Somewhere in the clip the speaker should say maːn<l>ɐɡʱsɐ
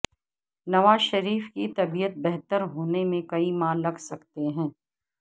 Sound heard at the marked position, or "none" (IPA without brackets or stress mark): l